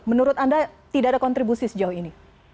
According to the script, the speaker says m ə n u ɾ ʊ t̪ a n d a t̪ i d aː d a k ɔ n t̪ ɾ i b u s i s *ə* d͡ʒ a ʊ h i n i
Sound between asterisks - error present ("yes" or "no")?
no